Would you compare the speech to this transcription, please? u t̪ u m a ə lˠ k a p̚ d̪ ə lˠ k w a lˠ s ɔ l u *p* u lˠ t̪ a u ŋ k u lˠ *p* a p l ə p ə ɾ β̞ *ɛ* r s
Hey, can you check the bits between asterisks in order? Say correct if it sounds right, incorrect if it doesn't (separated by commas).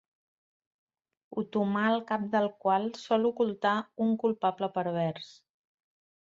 incorrect, correct, correct